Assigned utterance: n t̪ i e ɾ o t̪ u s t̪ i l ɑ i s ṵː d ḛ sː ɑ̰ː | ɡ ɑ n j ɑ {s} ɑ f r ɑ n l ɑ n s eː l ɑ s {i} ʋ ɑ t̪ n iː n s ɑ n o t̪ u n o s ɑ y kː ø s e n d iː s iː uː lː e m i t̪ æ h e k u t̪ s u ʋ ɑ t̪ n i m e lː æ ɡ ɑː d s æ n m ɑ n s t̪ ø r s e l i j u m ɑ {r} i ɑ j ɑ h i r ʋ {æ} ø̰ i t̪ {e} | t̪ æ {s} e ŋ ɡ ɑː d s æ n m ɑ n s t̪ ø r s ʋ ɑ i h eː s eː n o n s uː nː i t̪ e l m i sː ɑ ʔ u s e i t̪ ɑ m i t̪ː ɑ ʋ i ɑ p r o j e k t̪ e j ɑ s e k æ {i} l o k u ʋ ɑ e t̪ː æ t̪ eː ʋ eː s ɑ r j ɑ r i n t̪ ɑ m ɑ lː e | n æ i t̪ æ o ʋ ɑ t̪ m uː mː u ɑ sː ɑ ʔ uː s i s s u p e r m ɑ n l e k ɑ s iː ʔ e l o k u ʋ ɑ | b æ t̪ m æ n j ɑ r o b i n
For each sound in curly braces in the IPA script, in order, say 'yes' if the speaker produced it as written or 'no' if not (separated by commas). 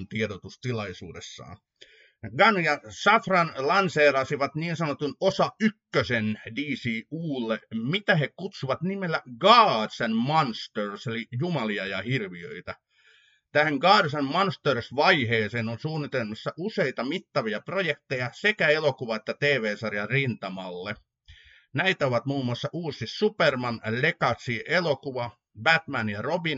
yes, yes, no, no, no, no, no